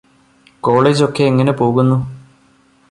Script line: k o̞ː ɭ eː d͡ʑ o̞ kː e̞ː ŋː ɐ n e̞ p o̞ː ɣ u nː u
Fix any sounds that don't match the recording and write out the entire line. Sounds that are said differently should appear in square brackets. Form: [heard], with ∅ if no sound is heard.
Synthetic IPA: k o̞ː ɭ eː d͡ʑ o̞ kː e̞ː ŋː ɐ n e̞ p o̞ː ɣ u nː u